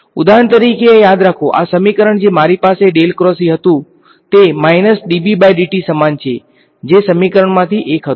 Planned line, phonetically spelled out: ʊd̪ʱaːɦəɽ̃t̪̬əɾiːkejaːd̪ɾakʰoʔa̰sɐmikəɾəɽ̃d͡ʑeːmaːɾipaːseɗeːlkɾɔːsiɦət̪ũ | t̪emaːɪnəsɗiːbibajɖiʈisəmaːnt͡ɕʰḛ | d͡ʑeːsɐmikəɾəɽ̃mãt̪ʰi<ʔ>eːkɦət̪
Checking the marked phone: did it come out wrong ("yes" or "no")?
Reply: no